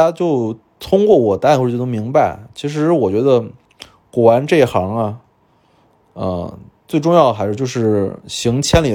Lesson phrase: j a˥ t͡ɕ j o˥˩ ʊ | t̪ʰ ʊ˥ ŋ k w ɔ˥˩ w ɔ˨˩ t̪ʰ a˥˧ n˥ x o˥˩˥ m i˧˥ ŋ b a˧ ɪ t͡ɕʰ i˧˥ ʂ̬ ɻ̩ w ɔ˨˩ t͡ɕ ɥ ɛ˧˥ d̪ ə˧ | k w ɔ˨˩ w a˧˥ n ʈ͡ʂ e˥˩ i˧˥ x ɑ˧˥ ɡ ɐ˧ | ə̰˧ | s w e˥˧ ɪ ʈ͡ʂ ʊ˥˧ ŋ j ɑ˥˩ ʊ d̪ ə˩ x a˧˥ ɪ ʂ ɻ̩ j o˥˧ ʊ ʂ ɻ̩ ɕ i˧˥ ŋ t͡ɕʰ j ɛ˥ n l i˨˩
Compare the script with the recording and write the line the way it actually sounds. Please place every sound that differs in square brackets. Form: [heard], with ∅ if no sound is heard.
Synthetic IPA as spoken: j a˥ t͡ɕ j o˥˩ ʊ | t̪ʰ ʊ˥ ŋ k w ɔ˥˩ w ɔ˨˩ [t̪] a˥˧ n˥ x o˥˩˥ m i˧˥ ŋ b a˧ ɪ t͡ɕʰ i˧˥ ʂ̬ ɻ̩ w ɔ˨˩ t͡ɕ ɥ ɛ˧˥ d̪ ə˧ | k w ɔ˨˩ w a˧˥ n ʈ͡ʂ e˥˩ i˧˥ x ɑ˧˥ [ŋ] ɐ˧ | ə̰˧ | [t͡s] w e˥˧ ɪ ʈ͡ʂ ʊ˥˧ ŋ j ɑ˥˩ ʊ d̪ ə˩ x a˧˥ ɪ ʂ ɻ̩ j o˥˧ ʊ ʂ ɻ̩ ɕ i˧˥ ŋ t͡ɕʰ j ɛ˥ n l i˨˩